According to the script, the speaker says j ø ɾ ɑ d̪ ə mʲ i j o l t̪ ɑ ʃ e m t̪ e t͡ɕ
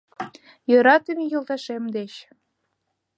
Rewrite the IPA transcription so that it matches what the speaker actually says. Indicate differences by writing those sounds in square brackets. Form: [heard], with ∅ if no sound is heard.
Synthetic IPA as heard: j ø ɾ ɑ [t̪] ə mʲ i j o l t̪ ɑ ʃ e m [d̪] e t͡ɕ